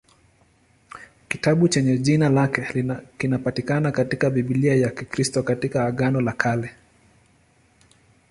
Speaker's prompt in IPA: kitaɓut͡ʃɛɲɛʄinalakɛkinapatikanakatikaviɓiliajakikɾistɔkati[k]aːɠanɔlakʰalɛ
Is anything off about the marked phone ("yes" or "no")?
no